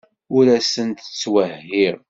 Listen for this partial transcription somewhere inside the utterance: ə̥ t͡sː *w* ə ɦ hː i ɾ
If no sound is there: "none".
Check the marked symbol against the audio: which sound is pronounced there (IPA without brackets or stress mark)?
w